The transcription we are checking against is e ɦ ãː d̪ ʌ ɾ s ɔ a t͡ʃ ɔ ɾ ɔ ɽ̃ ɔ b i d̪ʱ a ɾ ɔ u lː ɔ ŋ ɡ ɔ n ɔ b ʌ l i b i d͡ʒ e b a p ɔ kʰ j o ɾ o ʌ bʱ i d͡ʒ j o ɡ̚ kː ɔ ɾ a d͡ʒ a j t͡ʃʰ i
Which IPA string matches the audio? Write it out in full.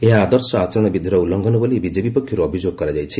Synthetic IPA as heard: e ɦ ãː d̪ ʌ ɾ s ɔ a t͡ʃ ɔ ɾ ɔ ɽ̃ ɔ b i d̪ʱ i ɾ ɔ u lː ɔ ŋ ɡ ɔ n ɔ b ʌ l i b i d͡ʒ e b i p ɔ kʰ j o ɾ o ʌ bʱ i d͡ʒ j o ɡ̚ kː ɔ ɾ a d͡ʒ a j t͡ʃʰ i